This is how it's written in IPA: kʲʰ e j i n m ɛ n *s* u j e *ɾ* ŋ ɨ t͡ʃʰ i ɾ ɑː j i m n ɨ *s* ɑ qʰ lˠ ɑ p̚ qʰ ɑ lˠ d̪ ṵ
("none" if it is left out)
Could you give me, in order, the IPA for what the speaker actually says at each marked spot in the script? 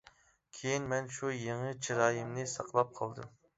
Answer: ʃ, none, s

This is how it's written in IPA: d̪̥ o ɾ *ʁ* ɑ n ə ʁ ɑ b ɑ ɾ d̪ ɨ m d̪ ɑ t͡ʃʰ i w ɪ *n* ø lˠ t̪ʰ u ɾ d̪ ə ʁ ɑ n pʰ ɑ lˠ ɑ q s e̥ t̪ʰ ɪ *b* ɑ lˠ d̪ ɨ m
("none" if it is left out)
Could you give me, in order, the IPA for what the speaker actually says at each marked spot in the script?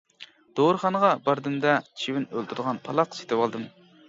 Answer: χ, n, w

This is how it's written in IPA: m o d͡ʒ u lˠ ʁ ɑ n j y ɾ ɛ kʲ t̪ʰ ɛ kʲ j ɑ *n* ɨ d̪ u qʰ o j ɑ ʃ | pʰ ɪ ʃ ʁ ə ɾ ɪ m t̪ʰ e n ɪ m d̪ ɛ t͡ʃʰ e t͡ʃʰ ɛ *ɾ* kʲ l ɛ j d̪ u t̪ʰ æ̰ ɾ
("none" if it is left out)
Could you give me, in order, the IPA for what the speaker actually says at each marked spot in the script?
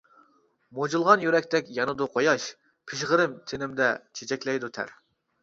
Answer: n, none

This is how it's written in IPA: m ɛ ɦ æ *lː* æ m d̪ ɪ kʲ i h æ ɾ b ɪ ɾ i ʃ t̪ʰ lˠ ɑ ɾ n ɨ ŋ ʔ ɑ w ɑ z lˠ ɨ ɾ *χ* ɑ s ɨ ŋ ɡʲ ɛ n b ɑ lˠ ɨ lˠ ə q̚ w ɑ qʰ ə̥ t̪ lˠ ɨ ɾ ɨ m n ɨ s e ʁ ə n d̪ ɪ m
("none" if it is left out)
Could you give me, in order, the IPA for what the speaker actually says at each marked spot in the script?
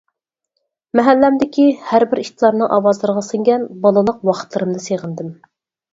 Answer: lː, ʁ

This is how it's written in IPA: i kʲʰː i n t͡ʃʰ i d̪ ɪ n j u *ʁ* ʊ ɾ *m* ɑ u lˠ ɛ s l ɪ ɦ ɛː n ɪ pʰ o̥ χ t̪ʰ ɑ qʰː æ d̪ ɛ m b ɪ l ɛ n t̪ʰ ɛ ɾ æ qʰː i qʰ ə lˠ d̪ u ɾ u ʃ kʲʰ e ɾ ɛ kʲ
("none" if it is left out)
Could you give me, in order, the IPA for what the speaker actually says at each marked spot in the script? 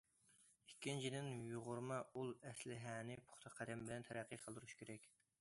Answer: ʁ, m

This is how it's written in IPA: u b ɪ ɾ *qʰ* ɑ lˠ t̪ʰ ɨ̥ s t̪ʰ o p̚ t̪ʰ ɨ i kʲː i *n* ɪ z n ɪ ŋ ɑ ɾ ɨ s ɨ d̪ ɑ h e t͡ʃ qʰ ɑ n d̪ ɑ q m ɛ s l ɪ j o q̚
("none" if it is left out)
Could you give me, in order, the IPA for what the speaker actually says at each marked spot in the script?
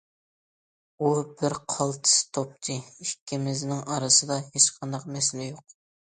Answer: qʰ, m

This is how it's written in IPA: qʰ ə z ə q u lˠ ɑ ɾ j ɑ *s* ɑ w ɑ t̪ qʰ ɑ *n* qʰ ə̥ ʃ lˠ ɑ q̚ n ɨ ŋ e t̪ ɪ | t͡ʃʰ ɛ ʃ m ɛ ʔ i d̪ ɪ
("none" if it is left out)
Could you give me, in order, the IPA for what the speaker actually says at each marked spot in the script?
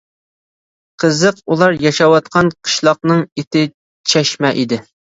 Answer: ʃ, n

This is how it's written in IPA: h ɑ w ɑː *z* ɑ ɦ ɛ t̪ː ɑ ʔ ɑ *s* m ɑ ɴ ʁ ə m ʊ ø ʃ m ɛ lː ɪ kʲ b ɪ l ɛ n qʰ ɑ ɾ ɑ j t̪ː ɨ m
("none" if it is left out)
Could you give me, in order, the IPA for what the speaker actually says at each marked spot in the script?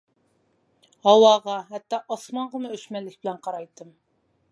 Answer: ʁ, s

